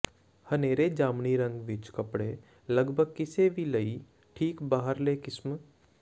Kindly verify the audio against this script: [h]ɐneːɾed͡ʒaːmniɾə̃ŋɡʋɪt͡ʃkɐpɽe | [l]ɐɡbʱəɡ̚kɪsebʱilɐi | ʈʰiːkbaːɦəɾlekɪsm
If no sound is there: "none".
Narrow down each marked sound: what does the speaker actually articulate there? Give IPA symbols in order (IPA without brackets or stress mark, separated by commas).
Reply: h, l